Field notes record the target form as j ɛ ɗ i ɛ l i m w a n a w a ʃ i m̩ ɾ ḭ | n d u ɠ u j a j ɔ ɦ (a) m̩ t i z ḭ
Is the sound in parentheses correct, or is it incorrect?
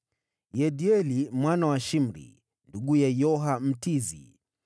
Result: correct